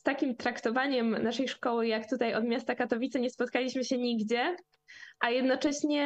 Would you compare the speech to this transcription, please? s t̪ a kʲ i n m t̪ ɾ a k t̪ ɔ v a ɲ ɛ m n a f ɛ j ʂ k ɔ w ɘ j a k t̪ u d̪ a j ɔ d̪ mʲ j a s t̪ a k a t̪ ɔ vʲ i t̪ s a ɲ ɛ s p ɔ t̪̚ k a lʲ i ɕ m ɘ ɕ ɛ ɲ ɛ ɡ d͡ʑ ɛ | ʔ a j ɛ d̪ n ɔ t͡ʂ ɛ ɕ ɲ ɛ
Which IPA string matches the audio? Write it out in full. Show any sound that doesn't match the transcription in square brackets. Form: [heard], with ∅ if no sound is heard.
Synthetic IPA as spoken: s t̪ a kʲ i [∅] m t̪ ɾ a k t̪ ɔ v a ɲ ɛ m n a [ʂ] ɛ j ʂ k ɔ w ɘ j a k t̪ u [t̪] a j ɔ d̪ mʲ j a s t̪ a k a t̪ ɔ vʲ i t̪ s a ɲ ɛ s p ɔ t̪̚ k a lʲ i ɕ m ɘ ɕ ɛ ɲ [i] ɡ d͡ʑ ɛ | ʔ a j ɛ d̪ n ɔ t͡ʂ ɛ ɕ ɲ ɛ